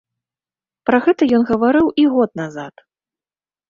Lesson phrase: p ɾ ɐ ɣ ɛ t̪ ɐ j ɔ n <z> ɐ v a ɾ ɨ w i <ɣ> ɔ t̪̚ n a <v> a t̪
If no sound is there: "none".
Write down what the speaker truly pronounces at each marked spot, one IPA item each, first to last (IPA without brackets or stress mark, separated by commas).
ɣ, ɣ, z